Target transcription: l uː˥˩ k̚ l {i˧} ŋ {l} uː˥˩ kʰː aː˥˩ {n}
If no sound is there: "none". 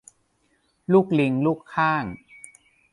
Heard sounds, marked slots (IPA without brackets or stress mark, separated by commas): i˧, l, ŋ